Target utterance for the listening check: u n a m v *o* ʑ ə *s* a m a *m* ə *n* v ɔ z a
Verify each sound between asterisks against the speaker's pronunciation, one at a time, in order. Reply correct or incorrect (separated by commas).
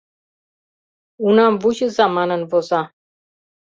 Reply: incorrect, incorrect, incorrect, correct